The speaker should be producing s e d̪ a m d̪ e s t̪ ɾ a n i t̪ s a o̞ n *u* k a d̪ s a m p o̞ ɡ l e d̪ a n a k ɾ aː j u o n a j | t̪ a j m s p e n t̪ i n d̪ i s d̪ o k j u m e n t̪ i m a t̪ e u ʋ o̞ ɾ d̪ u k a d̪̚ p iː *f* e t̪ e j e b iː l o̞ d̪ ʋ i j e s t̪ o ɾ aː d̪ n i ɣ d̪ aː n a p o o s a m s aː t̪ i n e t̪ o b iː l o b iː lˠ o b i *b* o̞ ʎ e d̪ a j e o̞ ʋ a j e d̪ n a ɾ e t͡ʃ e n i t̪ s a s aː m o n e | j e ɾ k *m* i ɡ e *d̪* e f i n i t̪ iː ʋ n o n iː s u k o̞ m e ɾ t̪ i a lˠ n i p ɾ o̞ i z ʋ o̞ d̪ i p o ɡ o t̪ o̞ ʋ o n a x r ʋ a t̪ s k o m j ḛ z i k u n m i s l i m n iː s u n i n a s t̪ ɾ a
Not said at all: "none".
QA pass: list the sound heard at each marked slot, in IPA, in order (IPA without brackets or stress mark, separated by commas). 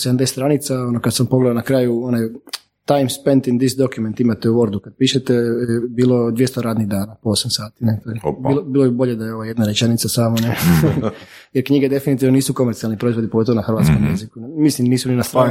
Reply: o, ʃ, b, ɲ, d̪